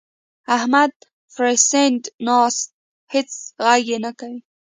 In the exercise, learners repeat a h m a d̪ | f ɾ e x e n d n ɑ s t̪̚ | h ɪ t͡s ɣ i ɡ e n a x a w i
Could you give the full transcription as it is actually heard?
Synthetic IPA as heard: a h m a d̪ | f ɾ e s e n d n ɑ s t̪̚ | h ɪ t͡s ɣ a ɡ e n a k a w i